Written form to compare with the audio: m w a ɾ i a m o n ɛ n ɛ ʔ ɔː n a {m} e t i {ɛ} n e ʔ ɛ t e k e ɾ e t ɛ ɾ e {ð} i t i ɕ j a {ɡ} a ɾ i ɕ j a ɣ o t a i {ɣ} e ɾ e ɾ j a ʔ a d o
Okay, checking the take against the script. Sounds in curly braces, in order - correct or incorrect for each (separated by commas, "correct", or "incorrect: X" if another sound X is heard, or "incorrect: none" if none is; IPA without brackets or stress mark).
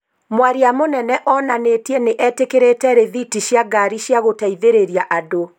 incorrect: n, correct, correct, correct, incorrect: ð